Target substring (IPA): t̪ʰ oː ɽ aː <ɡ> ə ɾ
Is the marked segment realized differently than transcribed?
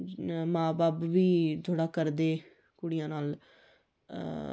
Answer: yes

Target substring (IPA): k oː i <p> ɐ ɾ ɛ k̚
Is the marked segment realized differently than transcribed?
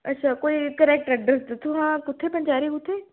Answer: yes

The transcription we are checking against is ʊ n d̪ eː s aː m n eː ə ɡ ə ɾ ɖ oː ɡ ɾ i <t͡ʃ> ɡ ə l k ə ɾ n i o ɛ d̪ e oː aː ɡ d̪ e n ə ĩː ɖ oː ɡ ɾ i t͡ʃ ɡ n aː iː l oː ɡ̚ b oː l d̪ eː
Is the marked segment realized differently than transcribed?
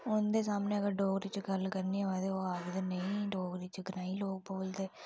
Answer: no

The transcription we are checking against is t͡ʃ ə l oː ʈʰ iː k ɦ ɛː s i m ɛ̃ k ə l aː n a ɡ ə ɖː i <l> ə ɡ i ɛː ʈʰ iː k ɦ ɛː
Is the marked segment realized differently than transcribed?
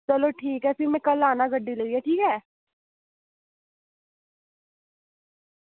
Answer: no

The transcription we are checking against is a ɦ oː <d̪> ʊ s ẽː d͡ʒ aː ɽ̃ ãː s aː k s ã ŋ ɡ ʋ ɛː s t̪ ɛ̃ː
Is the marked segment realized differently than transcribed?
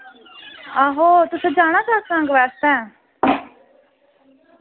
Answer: yes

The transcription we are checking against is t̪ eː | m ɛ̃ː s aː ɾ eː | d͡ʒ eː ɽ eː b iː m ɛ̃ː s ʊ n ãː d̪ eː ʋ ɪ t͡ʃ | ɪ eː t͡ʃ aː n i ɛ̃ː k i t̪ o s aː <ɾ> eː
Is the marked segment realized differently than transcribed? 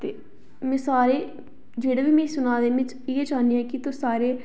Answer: no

